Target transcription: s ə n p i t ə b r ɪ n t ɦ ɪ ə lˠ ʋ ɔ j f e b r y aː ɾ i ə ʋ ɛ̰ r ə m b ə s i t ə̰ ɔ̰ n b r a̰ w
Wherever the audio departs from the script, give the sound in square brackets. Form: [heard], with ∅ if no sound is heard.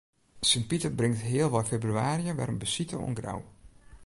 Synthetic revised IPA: s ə n p i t ə b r ɪ [ŋ] t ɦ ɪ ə lˠ ʋ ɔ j f e b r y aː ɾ i ə ʋ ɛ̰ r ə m b ə s i t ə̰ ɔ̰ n [ɡ] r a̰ w